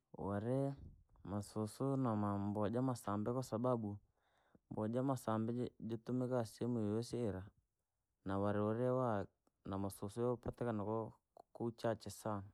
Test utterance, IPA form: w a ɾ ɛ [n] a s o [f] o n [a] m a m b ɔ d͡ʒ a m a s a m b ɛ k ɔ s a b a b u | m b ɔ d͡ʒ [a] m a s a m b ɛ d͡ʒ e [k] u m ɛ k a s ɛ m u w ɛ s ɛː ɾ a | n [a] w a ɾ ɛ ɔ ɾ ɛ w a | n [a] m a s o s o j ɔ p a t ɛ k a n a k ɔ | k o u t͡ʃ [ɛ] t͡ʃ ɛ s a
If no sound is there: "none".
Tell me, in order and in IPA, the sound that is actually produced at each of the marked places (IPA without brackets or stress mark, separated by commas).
m, s, a, a, t, a, a, a